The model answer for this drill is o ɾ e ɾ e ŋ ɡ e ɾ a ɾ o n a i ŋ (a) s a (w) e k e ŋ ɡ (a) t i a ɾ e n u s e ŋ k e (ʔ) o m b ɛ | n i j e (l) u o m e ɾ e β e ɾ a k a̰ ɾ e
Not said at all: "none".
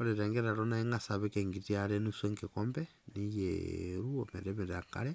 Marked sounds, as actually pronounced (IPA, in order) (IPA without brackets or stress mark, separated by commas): a, β, i, k, ɾ